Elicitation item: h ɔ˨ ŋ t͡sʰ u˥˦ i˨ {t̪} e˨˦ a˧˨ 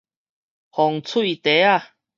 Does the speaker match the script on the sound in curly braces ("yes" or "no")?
yes